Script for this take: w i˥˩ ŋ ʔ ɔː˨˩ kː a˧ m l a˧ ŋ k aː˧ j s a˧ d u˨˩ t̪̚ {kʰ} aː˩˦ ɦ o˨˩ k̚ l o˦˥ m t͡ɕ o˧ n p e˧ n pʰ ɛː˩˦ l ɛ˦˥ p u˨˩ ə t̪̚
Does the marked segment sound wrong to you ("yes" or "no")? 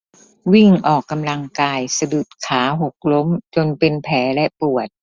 no